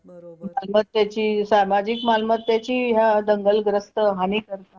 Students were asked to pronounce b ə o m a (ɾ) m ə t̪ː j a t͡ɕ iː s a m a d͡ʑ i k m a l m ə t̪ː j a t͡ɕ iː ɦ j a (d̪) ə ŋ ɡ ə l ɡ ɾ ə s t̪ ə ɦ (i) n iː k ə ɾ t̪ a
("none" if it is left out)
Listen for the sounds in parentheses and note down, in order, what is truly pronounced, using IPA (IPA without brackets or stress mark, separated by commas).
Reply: l, d̪, a